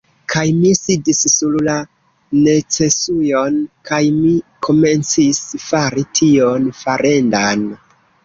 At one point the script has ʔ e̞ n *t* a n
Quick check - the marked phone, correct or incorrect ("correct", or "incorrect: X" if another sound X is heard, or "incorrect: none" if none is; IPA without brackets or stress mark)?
incorrect: d